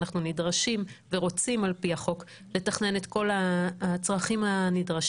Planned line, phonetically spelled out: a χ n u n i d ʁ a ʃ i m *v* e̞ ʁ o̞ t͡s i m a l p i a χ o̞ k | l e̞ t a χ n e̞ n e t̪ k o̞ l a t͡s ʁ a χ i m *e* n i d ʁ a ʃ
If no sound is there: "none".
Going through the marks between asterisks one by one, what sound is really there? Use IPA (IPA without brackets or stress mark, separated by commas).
v, a